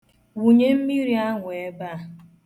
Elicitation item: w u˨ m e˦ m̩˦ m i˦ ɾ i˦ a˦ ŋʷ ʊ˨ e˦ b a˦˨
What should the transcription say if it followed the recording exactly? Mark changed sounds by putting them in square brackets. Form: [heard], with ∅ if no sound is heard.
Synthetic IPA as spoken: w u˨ [ɲ] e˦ m̩˦ m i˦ ɾ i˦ a˦ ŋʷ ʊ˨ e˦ b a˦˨